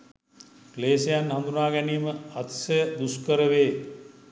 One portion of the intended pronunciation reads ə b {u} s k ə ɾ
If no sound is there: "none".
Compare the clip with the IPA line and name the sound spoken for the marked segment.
u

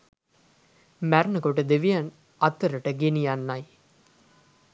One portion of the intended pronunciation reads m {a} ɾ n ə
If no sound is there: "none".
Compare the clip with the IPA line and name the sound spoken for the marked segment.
æ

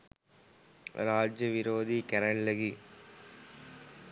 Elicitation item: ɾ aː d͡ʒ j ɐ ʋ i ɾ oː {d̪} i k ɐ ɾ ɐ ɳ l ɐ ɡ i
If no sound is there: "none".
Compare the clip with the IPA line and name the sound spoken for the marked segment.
d̪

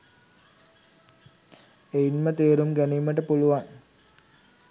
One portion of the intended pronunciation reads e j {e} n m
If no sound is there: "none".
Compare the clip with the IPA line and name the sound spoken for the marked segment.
i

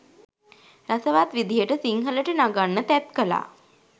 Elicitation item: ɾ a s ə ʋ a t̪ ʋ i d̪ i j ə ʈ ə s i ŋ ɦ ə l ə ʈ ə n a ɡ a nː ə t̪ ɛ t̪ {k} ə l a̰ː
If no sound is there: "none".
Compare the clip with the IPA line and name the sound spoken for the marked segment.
k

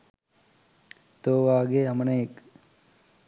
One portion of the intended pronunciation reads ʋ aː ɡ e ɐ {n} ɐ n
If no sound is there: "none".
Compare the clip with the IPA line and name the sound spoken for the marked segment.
m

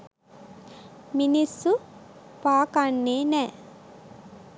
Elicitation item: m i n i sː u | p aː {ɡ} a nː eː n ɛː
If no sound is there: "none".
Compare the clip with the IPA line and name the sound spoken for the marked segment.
k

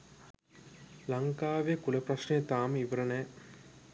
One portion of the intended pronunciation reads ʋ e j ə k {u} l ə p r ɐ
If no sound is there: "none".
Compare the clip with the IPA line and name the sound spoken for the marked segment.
u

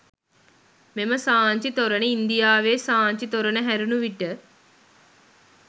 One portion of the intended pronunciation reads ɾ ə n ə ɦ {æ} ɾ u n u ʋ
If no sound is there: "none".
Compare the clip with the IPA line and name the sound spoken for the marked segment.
æ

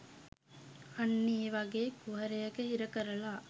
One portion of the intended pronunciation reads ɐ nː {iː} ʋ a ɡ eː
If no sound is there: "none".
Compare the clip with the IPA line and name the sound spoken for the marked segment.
iː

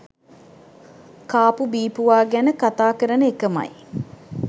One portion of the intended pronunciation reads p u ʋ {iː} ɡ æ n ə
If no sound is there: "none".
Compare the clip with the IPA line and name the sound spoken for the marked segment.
aː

